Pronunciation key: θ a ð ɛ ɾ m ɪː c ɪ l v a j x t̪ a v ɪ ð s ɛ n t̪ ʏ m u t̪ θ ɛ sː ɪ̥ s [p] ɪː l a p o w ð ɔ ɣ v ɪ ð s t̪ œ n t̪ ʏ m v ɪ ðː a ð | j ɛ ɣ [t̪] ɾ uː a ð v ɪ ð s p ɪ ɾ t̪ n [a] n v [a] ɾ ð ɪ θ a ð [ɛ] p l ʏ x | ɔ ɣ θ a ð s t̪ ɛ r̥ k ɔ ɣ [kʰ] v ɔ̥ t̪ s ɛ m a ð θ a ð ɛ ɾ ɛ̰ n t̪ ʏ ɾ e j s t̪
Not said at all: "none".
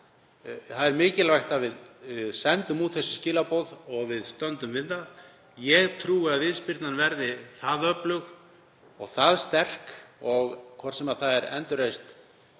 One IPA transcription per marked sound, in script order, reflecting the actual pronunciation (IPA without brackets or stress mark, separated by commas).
c, t̪ʰ, a, ɛ, œ, kʰ